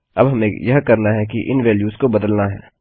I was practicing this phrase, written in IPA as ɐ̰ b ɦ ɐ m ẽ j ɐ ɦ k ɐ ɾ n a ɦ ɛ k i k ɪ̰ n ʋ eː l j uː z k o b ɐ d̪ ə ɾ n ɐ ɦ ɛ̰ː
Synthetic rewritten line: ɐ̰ b ɦ ɐ m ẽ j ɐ ɦ k ɐ ɾ n a ɦ ɛ k i ʔ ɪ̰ n ʋ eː l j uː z k o b ɐ d̪ ə l n a ɦ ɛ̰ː